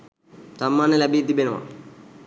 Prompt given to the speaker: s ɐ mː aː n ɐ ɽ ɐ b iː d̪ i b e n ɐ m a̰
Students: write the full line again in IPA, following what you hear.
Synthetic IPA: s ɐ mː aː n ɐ l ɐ b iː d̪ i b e n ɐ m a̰